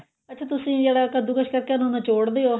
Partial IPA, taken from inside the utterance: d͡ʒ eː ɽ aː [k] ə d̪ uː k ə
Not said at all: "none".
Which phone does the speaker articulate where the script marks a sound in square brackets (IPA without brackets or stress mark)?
k